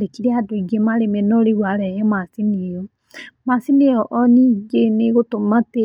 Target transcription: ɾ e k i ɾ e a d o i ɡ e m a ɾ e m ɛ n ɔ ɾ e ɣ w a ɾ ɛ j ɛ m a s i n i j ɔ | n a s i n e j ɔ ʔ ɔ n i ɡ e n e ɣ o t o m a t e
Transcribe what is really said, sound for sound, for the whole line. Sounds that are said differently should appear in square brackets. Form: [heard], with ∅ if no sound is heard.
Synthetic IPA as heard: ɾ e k i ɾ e a d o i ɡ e m a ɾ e m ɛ n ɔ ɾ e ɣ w a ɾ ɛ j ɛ m a s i n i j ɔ | [m] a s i n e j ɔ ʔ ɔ n i ɡ e n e ɣ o t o m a t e